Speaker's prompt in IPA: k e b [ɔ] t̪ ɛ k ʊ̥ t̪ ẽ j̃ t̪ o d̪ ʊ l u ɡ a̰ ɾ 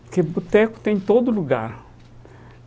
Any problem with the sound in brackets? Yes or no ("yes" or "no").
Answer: yes